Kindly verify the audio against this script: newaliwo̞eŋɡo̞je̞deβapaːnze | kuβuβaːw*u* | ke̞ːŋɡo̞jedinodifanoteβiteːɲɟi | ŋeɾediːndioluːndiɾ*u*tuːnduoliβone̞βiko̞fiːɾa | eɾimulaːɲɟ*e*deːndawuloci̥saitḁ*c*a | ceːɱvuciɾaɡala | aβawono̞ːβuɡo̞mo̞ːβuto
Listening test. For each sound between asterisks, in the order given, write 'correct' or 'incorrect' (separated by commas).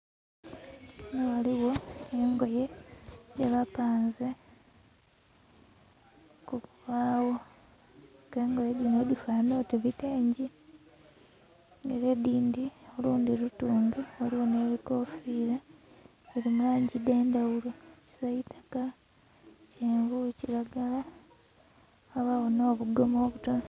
incorrect, correct, incorrect, incorrect